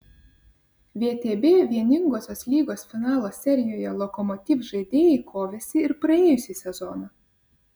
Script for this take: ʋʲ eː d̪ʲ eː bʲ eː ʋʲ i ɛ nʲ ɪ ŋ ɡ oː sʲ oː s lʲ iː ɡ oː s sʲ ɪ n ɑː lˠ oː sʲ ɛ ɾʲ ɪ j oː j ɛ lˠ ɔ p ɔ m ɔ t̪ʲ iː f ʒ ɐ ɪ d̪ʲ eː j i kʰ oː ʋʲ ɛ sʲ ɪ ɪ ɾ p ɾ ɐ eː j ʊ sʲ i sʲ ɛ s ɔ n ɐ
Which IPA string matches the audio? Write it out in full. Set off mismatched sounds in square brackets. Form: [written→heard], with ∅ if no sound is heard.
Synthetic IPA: ʋʲ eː [d̪ʲ→t̪ʲ] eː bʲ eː ʋʲ i ɛ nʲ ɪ ŋ ɡ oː sʲ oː s lʲ iː ɡ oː s [sʲ→fʲ] ɪ n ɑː lˠ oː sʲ ɛ ɾʲ ɪ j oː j ɛ lˠ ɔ [p→k] ɔ m ɔ t̪ʲ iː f ʒ ɐ ɪ d̪ʲ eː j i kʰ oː ʋʲ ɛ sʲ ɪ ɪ ɾ p ɾ ɐ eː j ʊ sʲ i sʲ ɛ [s→z] ɔ n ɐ

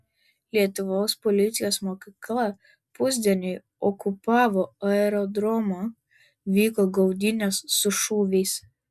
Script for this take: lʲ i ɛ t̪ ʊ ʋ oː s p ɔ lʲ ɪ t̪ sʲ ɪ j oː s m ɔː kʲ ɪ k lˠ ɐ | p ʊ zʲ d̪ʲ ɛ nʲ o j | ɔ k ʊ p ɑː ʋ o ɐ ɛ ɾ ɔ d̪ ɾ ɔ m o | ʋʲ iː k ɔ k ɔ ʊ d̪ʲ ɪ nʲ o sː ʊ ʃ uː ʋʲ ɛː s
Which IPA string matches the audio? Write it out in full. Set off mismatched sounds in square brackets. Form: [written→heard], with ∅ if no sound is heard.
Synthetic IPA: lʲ i ɛ t̪ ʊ ʋ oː s p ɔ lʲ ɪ t̪ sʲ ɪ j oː s m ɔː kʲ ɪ k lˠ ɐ | p ʊ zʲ d̪ʲ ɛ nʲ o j | ɔ k ʊ p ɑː ʋ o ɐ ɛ ɾ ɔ d̪ ɾ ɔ m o | ʋʲ iː k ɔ [k→ɡ] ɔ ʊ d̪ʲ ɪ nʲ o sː ʊ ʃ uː ʋʲ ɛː s

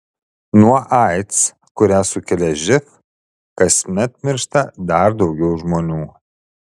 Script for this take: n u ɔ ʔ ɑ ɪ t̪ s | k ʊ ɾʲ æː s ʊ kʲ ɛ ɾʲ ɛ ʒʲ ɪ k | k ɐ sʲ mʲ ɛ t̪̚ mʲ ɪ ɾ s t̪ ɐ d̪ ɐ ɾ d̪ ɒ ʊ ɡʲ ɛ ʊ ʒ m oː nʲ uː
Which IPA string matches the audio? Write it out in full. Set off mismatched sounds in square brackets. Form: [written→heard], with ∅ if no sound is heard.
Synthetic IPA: n u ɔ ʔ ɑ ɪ t̪ s | k ʊ ɾʲ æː s ʊ kʲ ɛ [ɾʲ→lʲ] ɛ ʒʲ ɪ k | k ɐ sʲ mʲ ɛ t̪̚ mʲ ɪ ɾ [s→ʃ] t̪ ɐ d̪ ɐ ɾ d̪ ɒ ʊ ɡʲ ɛ ʊ ʒ m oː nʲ uː

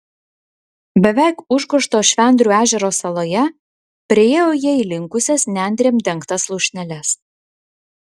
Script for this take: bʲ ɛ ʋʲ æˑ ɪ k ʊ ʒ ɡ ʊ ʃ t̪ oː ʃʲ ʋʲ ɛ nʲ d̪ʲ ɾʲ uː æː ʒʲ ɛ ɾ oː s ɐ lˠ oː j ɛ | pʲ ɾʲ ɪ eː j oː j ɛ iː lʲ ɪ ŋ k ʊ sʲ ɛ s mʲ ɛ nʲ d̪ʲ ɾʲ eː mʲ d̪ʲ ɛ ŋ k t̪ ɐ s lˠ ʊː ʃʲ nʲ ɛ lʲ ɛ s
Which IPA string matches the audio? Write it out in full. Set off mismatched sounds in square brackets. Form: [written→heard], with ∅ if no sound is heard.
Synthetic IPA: bʲ ɛ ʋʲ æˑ ɪ k ʊ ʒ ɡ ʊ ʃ t̪ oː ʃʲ ʋʲ ɛ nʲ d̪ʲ ɾʲ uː æː ʒʲ ɛ ɾ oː s ɐ lˠ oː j ɛ | pʲ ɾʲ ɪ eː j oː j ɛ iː lʲ ɪ ŋ k ʊ sʲ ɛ s [mʲ→nʲ] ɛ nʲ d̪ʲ ɾʲ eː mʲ d̪ʲ ɛ ŋ k t̪ ɐ s lˠ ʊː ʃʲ nʲ ɛ lʲ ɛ s

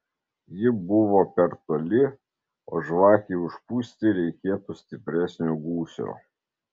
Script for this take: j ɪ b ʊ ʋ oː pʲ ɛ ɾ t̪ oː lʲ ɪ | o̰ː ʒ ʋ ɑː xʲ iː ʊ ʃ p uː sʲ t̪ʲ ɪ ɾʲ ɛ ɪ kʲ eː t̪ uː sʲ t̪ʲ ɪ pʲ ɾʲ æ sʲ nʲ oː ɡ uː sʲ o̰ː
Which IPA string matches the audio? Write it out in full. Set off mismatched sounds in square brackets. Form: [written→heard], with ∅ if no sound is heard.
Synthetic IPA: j ɪ b ʊ ʋ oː pʲ ɛ ɾ t̪ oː lʲ ɪ | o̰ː ʒ ʋ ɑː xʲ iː ʊ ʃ p uː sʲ t̪ʲ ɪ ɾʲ ɛ ɪ kʲ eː t̪ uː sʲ t̪ʲ ɪ pʲ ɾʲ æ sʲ nʲ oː ɡ uː sʲ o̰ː

